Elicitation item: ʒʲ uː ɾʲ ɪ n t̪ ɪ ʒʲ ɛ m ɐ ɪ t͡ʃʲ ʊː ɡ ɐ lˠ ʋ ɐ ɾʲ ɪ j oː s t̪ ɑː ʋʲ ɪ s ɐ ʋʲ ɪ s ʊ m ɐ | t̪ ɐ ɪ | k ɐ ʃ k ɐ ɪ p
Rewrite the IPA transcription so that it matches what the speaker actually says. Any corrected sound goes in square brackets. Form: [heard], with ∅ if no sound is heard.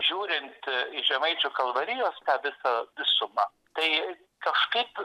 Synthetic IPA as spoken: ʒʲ uː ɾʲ ɪ n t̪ ɪ ʒʲ ɛ m ɐ ɪ t͡ʃʲ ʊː [k] ɐ lˠ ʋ ɐ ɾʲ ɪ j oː s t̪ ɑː ʋʲ ɪ s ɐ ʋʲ ɪ s ʊ m ɐ | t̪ ɐ ɪ | k ɐ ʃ k ɐ ɪ p

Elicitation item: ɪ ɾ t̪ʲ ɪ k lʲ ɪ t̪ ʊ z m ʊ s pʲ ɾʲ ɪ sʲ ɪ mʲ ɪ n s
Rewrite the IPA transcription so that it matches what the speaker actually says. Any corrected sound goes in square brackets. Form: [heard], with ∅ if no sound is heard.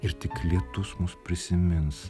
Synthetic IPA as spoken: ɪ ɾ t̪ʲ ɪ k lʲ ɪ t̪ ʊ [s] m ʊ s pʲ ɾʲ ɪ sʲ ɪ mʲ ɪ n s

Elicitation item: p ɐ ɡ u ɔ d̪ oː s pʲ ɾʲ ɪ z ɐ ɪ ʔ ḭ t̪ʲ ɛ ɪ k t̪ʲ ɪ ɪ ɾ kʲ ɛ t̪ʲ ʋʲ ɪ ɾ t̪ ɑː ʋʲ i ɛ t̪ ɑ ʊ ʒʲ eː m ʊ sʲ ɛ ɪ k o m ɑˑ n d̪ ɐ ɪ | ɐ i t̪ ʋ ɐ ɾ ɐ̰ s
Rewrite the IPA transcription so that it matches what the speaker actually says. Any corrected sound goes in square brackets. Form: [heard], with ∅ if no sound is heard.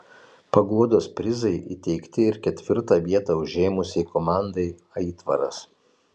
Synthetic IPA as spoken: p ɐ ɡ u ɔ d̪ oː s pʲ ɾʲ ɪ z ɐ ɪ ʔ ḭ t̪ʲ ɛ ɪ k t̪ʲ ɪ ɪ ɾ kʲ ɛ t̪ʲ ʋʲ ɪ ɾ t̪ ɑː ʋʲ i ɛ t̪ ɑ ʊ ʒʲ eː m ʊ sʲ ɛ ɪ k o m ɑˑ n d̪ ɐ ɪ | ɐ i t̪ ʋ ɐ ɾ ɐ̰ s

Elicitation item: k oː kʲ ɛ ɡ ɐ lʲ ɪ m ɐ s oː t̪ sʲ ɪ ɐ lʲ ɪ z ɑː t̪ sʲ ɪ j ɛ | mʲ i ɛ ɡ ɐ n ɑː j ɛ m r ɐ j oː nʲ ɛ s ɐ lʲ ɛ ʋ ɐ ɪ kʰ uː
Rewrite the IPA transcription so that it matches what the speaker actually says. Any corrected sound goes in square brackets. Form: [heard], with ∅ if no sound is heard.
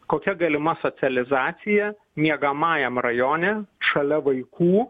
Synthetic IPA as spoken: k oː kʲ ɛ ɡ ɐ lʲ ɪ m ɐ s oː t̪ sʲ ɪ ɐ lʲ ɪ z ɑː t̪ sʲ ɪ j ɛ | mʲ i ɛ ɡ ɐ [m] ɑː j ɛ m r ɐ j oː nʲ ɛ [ʃ] ɐ lʲ ɛ ʋ ɐ ɪ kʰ uː

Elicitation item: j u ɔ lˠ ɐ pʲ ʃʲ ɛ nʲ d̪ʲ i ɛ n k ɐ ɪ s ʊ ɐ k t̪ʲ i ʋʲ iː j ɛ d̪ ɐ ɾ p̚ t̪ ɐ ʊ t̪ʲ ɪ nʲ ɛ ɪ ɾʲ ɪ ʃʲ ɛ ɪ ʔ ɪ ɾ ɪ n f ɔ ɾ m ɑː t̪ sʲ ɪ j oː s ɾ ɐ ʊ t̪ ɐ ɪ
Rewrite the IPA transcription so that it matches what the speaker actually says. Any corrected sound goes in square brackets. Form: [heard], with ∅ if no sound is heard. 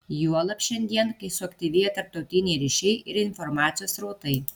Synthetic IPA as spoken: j u ɔ lˠ ɐ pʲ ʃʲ ɛ nʲ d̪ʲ i ɛ n k ɐ ɪ s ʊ ɐ k t̪ʲ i ʋʲ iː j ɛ [t̪] ɐ ɾ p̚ t̪ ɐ ʊ t̪ʲ ɪ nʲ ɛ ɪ ɾʲ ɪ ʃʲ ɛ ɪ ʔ ɪ ɾ ɪ n f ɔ ɾ m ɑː t̪ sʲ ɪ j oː s ɾ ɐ ʊ t̪ ɐ ɪ

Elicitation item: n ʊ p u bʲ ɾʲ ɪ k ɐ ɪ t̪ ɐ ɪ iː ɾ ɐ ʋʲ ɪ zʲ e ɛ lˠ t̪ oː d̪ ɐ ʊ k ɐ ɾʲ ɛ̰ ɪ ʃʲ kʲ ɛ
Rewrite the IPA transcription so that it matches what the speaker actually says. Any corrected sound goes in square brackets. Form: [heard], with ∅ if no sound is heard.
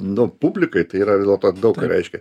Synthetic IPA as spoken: n ʊ p u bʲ [lʲ] ɪ k ɐ ɪ t̪ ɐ ɪ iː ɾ ɐ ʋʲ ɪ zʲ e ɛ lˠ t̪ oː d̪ ɐ ʊ k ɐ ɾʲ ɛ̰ ɪ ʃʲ kʲ ɛ

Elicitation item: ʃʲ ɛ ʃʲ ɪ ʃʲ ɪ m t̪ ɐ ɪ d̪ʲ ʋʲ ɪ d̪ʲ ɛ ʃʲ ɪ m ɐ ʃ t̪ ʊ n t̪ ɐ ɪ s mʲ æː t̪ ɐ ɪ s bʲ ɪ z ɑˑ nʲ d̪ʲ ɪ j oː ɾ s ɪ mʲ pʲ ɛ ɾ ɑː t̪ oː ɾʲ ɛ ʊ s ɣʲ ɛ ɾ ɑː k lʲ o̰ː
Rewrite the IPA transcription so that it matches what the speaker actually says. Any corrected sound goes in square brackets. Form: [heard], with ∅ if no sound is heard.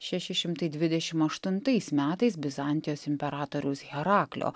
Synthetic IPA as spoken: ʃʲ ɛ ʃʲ ɪ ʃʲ ɪ m t̪ ɐ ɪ d̪ʲ ʋʲ ɪ d̪ʲ ɛ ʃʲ ɪ m ɐ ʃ t̪ ʊ n t̪ ɐ ɪ s mʲ æː t̪ ɐ ɪ s bʲ ɪ z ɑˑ nʲ [t̪ʲ] ɪ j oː [∅] s ɪ mʲ pʲ ɛ ɾ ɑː t̪ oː ɾʲ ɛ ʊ s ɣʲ ɛ ɾ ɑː k lʲ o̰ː

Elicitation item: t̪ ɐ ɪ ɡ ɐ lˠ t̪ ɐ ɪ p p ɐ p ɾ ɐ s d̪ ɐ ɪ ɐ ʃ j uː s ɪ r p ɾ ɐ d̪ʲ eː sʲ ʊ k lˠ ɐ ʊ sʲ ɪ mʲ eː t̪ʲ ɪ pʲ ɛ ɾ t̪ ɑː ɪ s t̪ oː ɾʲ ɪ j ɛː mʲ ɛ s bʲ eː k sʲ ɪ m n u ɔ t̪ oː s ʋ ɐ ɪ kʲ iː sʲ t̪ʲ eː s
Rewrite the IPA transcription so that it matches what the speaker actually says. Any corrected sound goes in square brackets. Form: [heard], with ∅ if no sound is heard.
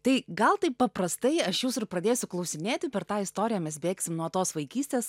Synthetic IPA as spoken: t̪ ɐ ɪ ɡ ɐ lˠ t̪ ɐ ɪ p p ɐ p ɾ ɐ s [t̪] ɐ ɪ ɐ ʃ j uː s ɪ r p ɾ ɐ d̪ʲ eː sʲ ʊ k lˠ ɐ ʊ sʲ ɪ mʲ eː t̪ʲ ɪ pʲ ɛ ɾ t̪ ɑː ɪ s t̪ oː ɾʲ ɪ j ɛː mʲ ɛ s bʲ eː k sʲ ɪ m n u ɔ t̪ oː s ʋ ɐ ɪ kʲ iː sʲ t̪ʲ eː s

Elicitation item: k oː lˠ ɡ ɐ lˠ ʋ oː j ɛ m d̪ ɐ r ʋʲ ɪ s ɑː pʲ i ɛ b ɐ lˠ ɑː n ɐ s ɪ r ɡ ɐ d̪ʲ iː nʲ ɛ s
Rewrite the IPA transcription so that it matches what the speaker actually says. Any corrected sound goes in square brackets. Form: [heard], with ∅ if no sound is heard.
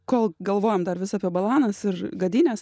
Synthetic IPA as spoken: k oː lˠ ɡ ɐ lˠ ʋ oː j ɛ m d̪ ɐ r ʋʲ ɪ s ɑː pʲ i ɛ b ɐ lˠ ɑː n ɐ s ɪ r ɡ ɐ d̪ʲ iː nʲ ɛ s

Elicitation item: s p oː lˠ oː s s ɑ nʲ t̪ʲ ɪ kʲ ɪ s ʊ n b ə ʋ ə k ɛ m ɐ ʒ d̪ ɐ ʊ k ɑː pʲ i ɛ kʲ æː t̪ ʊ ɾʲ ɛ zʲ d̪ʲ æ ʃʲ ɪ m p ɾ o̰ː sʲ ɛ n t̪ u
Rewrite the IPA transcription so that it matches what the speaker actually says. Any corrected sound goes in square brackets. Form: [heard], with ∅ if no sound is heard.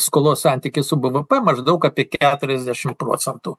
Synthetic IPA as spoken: s [k] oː lˠ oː s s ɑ nʲ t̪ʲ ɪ kʲ ɪ s ʊ [∅] b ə ʋ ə [p] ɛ m ɐ ʒ d̪ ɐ ʊ k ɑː pʲ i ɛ kʲ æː t̪ ʊ ɾʲ ɛ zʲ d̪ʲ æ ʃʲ ɪ m p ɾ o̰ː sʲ ɛ n t̪ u

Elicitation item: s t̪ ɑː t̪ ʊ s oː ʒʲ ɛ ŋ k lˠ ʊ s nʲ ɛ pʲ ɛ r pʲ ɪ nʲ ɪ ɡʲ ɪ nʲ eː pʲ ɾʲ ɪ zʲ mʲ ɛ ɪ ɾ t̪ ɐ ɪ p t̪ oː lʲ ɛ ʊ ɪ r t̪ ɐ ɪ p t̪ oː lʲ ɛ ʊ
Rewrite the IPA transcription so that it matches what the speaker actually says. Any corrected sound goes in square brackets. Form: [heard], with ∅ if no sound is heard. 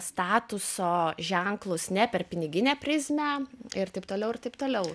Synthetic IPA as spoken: s t̪ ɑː t̪ ʊ s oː ʒʲ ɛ ŋ k lˠ ʊ s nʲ ɛ pʲ ɛ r pʲ ɪ nʲ ɪ ɡʲ ɪ nʲ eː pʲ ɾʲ ɪ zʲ mʲ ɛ ɪ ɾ t̪ ɐ ɪ p t̪ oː lʲ ɛ ʊ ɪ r t̪ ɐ ɪ p t̪ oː lʲ ɛ ʊ

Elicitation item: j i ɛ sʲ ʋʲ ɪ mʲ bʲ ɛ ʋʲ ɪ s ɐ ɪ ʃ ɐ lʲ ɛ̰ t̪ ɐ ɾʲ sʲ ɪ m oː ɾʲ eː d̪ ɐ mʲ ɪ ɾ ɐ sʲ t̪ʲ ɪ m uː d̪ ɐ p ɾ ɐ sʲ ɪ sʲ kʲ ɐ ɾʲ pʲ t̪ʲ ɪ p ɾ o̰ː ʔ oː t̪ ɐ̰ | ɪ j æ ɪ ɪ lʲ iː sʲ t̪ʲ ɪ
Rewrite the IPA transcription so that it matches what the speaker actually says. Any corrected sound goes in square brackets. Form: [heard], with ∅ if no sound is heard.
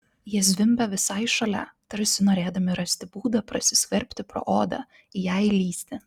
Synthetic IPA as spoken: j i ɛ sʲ ʋʲ ɪ mʲ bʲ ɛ ʋʲ ɪ s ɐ ɪ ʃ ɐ lʲ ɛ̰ t̪ ɐ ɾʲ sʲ ɪ [n] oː ɾʲ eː d̪ ɐ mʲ ɪ ɾ ɐ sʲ t̪ʲ ɪ [b] uː d̪ ɐ p ɾ ɐ sʲ ɪ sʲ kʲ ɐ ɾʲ pʲ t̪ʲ ɪ p ɾ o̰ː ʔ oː [d̪] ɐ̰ | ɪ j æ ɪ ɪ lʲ iː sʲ t̪ʲ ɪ

